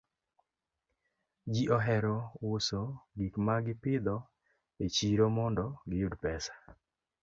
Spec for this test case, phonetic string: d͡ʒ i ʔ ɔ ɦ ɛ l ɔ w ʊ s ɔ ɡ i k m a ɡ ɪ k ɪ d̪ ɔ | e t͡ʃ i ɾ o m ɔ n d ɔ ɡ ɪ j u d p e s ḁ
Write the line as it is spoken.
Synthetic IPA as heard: d͡ʒ i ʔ ɔ ɦ ɛ ɾ ɔ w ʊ s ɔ ɡ i k m a ɡ ɪ p ɪ d̪ ɔ | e t͡ʃ i ɾ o m ɔ n d ɔ ɡ ɪ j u d p ɛ s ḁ